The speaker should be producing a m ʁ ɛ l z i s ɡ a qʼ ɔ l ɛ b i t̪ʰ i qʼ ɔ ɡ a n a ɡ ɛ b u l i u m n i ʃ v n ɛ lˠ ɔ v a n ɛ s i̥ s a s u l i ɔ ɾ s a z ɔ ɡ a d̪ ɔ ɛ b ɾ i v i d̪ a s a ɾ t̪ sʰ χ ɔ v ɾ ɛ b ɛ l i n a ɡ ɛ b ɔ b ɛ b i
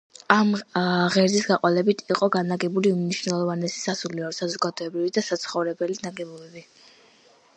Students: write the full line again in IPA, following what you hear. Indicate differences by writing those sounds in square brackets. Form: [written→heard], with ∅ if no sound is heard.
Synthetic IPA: a m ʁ ɛ [l→ɾ] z i s ɡ a qʼ ɔ l ɛ b i t̪ʰ i qʼ ɔ ɡ a n a ɡ ɛ b u l i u m n i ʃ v n ɛ lˠ ɔ v a n ɛ s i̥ s a s u l i ɔ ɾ s a z ɔ ɡ a d̪ ɔ ɛ b ɾ i v i d̪ a s a [ɾ→∅] t̪ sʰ χ ɔ v ɾ ɛ b ɛ l i n a ɡ ɛ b ɔ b ɛ b i